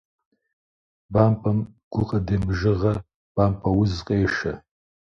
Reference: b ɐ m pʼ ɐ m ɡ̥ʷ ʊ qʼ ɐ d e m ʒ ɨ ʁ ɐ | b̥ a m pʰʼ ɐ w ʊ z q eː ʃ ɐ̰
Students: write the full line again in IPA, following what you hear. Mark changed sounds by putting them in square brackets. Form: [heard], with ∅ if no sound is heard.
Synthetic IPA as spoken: b [a] m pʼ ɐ m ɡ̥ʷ ʊ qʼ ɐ d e m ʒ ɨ ʁ ɐ | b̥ a m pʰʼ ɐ w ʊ z [qʼ] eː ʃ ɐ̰